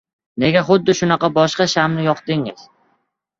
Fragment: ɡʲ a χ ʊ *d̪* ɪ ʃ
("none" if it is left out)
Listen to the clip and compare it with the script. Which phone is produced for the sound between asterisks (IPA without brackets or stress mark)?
d̪ː